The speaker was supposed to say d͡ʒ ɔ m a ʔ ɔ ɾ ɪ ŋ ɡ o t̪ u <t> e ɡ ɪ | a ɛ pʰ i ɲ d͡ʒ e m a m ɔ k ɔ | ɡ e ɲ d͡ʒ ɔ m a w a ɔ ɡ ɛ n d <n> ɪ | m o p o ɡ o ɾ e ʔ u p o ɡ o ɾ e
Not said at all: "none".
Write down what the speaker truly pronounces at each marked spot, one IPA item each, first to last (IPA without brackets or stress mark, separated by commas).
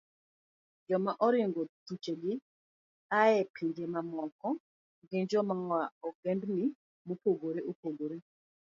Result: t͡ʃ, n